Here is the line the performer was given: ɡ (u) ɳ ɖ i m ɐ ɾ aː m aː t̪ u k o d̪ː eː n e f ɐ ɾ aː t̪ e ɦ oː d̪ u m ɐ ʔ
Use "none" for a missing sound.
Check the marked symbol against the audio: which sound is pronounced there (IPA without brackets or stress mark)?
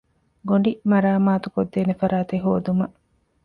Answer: o